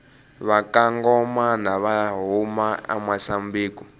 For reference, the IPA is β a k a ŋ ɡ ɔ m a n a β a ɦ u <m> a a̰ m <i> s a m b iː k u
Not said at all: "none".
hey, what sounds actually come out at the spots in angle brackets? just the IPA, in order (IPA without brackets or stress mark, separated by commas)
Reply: m, a